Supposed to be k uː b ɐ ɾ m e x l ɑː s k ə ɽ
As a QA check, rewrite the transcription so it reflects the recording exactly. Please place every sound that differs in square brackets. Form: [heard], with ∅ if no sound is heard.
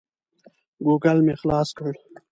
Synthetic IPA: [ɡ] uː [ɡ] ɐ [l] m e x l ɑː s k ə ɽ